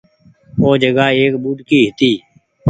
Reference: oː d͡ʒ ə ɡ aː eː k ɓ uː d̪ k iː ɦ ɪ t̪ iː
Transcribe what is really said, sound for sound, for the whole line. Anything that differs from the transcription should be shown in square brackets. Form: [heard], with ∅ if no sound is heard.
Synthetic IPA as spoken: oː d͡ʒ ə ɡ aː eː k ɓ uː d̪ k iː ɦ ɪ t̪ iː